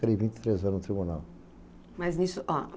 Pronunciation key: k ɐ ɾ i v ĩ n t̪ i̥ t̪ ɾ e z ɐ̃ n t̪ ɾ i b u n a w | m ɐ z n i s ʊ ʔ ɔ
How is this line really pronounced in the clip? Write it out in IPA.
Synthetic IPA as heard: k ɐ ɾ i v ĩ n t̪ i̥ t̪ ɾ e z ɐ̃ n t̪ ɾ i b u n a w | m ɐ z n i s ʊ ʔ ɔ